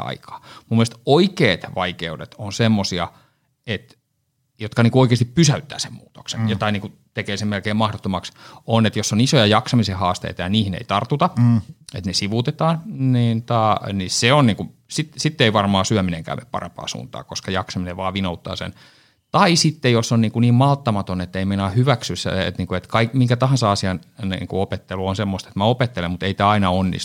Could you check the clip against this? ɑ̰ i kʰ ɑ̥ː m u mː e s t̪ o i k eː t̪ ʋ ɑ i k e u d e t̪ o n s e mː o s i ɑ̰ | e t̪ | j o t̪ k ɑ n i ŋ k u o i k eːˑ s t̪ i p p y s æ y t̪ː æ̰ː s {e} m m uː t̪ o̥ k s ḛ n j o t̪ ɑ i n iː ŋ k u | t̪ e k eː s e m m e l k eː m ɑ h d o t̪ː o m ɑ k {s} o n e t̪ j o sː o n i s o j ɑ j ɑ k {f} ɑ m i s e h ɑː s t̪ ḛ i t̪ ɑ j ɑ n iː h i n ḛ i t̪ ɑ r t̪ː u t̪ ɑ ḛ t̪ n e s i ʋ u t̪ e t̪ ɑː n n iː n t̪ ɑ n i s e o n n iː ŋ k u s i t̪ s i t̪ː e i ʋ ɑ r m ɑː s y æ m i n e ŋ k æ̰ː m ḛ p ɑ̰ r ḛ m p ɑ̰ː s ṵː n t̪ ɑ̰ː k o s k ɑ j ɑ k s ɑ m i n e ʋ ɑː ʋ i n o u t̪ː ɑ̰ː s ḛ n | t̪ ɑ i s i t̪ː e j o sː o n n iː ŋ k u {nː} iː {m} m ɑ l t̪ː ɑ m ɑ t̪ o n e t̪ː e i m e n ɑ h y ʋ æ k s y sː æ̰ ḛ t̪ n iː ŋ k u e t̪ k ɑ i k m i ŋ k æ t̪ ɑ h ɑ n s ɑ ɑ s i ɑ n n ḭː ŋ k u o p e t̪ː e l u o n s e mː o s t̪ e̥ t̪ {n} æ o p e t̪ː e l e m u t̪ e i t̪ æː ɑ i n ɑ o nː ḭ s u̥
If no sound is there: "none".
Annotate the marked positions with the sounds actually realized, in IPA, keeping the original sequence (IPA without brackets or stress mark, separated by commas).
e, s, s, n, m, m